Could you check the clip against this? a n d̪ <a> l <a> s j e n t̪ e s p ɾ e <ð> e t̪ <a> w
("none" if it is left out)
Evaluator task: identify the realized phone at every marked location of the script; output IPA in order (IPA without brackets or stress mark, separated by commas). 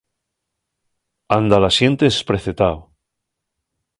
a, a, θ, a